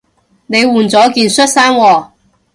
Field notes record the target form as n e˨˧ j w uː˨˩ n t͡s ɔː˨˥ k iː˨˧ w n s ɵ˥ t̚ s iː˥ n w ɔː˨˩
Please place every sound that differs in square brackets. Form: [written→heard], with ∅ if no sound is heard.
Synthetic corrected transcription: n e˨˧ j w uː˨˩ n t͡s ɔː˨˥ k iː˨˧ [w→∅] n s ɵ˥ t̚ s [iː˥→aː˥] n w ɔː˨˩